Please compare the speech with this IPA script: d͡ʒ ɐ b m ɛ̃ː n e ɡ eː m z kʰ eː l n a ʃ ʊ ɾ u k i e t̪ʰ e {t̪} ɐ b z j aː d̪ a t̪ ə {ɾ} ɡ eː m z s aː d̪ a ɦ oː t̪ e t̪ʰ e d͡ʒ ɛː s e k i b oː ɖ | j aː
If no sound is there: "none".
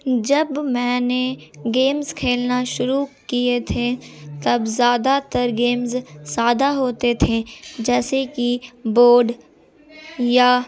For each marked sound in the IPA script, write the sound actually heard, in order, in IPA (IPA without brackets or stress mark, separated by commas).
t̪, ɾ